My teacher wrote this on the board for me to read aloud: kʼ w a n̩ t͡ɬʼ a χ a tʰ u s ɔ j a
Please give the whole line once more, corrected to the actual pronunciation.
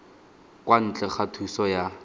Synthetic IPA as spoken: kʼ w a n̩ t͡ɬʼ ɛ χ a tʰ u s ɔ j a